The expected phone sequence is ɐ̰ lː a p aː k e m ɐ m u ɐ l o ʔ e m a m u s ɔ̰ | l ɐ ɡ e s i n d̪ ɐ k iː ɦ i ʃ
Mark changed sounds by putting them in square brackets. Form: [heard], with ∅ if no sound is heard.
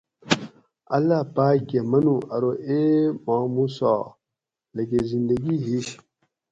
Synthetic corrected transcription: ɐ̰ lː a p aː [ɡ] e m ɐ [n] u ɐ [ɾ] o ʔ e m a m u s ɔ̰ | l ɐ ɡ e [z] i n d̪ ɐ [ɡ] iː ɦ i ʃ

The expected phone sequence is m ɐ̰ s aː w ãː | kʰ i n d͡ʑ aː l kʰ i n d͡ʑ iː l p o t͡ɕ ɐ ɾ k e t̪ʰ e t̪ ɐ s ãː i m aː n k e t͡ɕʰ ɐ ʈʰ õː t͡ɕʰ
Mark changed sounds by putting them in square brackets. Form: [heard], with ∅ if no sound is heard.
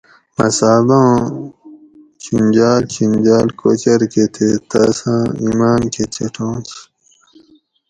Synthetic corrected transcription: m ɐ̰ s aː [b] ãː | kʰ i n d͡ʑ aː l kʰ i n d͡ʑ [aː] l [k] o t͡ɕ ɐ ɾ k e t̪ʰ e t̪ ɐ s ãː i m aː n k e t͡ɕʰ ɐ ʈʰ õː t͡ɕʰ

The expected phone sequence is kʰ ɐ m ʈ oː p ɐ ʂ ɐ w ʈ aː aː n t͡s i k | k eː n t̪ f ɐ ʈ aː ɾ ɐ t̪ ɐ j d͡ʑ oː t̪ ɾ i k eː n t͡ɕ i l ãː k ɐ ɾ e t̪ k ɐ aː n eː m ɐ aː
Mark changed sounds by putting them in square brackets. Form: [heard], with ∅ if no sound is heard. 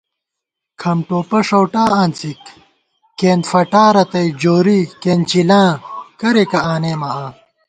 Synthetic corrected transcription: kʰ ɐ m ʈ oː p ɐ ʂ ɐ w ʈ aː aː n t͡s i k | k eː n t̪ f ɐ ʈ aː ɾ ɐ t̪ ɐ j d͡ʑ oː [∅] ɾ i k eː n t͡ɕ i l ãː k ɐ ɾ e [∅] k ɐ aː n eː m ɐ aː

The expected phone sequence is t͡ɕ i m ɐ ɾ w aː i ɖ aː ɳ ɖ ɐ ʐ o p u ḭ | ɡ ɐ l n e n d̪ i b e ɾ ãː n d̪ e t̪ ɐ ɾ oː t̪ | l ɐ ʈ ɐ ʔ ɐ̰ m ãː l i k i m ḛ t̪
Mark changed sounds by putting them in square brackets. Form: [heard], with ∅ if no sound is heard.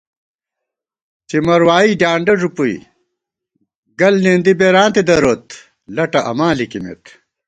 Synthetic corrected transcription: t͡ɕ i m ɐ ɾ w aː i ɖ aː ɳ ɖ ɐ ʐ [u] p u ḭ | ɡ ɐ l n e n d̪ i b e ɾ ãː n [t̪] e [d̪] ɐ ɾ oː t̪ | l ɐ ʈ ɐ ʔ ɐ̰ m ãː l i k i m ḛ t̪

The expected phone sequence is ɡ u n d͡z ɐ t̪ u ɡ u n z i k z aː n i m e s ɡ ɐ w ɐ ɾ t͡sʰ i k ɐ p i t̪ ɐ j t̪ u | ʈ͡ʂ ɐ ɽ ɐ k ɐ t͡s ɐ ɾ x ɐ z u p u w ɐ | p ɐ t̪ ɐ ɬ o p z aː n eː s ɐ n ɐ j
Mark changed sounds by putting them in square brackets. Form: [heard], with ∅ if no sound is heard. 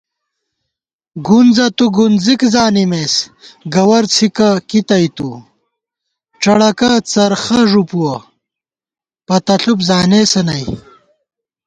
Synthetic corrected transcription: ɡ u n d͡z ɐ t̪ u ɡ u n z i k z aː n i m e s ɡ ɐ w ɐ ɾ t͡sʰ i k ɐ [k] i t̪ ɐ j t̪ u | ʈ͡ʂ ɐ ɽ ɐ k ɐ t͡s ɐ ɾ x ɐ [ʐ] u p u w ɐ | p ɐ t̪ ɐ ɬ [u] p z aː n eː s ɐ n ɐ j

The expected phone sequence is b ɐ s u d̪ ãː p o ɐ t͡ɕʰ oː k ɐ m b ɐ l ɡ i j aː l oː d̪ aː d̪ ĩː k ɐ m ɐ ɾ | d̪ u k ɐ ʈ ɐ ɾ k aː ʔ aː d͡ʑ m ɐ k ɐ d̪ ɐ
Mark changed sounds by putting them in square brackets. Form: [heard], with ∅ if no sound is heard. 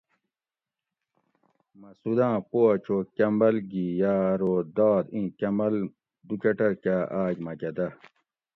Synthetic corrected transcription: [m] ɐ s u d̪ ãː p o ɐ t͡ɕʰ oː k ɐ m b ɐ l ɡ i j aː [ɾ] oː d̪ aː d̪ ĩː k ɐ m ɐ [l] | d̪ u k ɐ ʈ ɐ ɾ k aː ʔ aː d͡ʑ m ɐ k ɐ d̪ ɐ

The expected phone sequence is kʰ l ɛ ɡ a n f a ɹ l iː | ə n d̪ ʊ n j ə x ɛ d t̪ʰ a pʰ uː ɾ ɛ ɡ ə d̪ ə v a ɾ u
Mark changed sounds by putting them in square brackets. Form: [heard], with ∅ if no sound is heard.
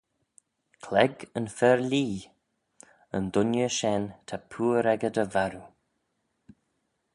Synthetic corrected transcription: kʰ l ɛ ɡ [ə] n f [ɛ] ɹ l iː | ə n d̪ ʊ n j ə [ʃ] ɛ [n] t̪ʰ a pʰ uː ɾ ɛ ɡ ə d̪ ə v a ɾ u

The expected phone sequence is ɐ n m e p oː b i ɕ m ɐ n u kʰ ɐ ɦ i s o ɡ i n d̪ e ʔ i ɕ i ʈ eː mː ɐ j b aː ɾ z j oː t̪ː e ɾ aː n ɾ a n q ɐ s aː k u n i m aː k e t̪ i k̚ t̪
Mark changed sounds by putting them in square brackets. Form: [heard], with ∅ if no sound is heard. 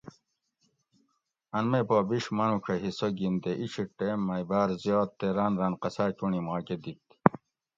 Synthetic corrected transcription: ɐ n m e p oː b i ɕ m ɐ n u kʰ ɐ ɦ i s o ɡ i n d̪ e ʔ i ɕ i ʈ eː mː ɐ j b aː ɾ z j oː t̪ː e ɾ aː n ɾ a n q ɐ s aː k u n i m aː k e [d̪] i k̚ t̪

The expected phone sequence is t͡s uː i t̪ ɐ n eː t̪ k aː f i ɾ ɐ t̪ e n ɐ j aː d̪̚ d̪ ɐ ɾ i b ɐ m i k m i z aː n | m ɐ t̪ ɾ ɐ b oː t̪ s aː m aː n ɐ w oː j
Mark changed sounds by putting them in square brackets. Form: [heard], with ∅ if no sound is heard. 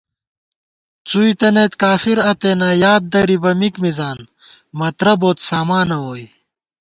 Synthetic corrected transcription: t͡s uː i t̪ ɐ n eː t̪ k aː f i ɾ ɐ t̪ e n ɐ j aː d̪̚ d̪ ɐ ɾ i b ɐ m i k m i z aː n | m ɐ t̪ ɾ ɐ b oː t̪ s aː m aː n ɐ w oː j

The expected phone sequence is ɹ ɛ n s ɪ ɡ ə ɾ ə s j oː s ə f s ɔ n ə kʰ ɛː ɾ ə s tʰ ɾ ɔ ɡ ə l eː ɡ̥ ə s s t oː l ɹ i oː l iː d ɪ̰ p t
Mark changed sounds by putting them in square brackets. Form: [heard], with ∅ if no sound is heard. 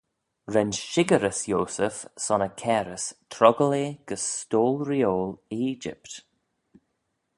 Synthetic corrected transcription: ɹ ɛ n [ʃ] ɪ ɡ ə ɾ ə s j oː s ə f s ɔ n ə kʰ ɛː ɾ ə s tʰ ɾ ɔ ɡ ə l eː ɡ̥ ə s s t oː l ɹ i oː l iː [d͡ʒ] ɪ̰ p t

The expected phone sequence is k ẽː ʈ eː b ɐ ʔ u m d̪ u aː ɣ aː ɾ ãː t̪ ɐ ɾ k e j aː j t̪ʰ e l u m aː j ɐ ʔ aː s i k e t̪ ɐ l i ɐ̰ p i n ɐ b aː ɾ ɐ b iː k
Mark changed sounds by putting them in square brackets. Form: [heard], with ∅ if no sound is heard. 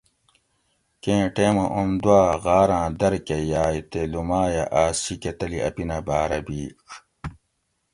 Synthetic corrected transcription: k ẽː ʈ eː [m] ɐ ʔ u m d̪ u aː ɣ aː ɾ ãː [d̪] ɐ ɾ k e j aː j [t̪] e l u m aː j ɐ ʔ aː s i k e t̪ ɐ l i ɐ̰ p i n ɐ b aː ɾ ɐ b iː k

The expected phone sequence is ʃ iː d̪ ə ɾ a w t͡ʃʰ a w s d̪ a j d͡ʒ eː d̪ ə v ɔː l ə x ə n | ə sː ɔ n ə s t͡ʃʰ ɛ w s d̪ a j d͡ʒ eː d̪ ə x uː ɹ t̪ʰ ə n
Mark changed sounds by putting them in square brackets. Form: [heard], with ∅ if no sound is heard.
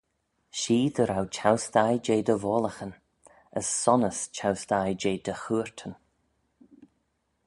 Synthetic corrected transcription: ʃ iː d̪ ə ɾ a w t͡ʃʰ a w s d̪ a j d͡ʒ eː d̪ ə v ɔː l ə x ə n | ə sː ɔ n ə s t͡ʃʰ [a] w s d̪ a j d͡ʒ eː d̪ ə x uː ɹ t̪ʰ ə n

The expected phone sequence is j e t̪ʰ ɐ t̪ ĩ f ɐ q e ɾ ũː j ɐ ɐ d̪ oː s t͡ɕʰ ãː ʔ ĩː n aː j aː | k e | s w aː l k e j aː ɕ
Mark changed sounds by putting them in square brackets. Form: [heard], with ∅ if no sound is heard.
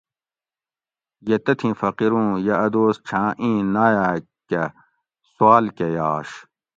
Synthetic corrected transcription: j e [t̪] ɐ [t̪ʰ] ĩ f ɐ q [i] ɾ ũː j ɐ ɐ d̪ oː s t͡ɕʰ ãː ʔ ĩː n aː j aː | k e | s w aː l k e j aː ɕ

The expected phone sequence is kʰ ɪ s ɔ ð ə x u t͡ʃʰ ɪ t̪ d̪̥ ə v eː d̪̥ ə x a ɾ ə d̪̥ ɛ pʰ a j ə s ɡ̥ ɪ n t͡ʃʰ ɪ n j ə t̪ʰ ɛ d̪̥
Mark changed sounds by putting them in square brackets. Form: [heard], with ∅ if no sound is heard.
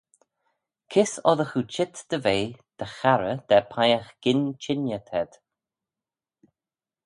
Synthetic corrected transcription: kʰ ɪ s ɔ ð ə x u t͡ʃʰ ɪ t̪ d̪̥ ə v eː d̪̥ ə x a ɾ ə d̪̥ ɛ pʰ a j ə [x] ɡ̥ ɪ n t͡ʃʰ ɪ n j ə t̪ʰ ɛ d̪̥

